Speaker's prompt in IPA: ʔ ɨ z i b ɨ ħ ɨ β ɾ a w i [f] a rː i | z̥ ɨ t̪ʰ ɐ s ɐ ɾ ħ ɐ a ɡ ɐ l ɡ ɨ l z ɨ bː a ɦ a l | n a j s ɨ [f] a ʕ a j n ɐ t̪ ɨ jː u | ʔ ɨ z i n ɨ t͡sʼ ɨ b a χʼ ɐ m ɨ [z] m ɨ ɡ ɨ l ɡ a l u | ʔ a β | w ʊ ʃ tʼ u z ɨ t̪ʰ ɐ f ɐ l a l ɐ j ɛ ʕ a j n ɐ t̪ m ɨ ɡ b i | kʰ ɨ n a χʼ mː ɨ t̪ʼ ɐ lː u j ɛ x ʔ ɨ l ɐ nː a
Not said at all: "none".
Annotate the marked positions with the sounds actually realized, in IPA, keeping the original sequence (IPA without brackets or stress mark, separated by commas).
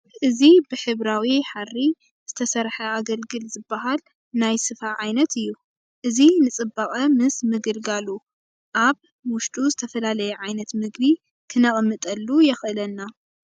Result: ħ, f, s